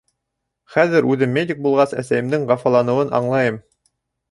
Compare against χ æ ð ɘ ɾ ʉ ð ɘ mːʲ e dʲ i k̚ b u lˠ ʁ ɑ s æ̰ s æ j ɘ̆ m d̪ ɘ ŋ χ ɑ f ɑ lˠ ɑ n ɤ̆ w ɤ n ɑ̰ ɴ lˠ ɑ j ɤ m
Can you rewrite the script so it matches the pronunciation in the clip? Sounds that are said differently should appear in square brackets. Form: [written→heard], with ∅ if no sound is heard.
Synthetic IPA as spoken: χ æ ð ɘ ɾ ʉ ð ɘ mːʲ e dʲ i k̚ b u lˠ ʁ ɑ s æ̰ s æ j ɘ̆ m d̪ ɘ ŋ [χ→ʁ] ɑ f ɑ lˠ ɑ n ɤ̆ w ɤ n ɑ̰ ɴ lˠ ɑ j ɤ m